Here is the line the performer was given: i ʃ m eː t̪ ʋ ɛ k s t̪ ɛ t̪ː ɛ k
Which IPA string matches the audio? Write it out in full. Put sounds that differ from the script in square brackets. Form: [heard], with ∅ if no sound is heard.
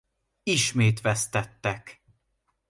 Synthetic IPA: i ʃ m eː t̪ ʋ ɛ [∅] s t̪ ɛ t̪ː ɛ k